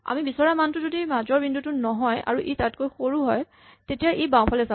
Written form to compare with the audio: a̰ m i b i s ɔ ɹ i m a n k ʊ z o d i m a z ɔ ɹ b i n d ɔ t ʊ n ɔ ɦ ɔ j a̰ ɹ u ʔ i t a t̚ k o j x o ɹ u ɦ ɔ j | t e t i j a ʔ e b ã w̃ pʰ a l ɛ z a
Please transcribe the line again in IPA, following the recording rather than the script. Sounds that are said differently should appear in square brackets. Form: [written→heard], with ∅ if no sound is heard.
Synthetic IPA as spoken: a̰ m i b i s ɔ ɹ [i→a] m a n [k→t] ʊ z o d i m a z ɔ ɹ b i n d [ɔ→u] t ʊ n ɔ ɦ ɔ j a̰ ɹ u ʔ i t a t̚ k o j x o ɹ u ɦ ɔ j | t e t i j a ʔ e b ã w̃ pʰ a l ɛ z a